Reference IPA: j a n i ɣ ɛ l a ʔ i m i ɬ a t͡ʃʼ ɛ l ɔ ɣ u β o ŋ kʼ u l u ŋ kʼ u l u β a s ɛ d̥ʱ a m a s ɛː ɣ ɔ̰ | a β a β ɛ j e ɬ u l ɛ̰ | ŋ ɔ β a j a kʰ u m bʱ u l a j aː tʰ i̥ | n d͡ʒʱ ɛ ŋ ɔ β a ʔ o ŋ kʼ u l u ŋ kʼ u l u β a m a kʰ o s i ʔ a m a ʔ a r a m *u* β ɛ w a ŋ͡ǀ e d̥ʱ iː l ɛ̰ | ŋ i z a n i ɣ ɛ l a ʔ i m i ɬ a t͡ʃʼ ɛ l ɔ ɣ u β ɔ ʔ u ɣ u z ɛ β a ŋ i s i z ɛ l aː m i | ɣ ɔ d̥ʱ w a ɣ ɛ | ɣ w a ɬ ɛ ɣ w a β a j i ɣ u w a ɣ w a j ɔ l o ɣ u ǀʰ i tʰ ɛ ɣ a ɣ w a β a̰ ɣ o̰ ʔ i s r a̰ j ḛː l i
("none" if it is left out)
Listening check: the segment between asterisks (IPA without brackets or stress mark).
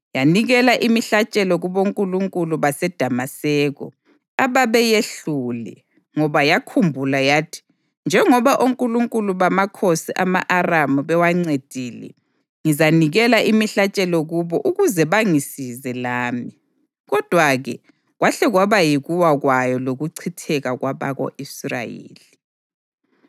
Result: u